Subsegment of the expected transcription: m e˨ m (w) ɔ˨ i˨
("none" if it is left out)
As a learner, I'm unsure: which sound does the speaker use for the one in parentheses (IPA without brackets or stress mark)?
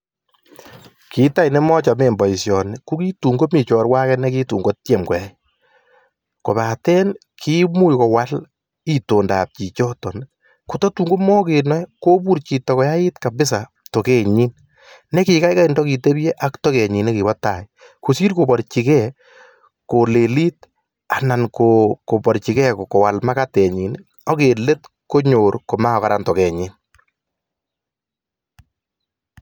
b